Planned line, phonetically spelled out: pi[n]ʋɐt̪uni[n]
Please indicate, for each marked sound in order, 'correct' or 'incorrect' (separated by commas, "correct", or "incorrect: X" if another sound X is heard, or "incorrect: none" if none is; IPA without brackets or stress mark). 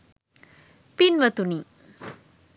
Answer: correct, incorrect: none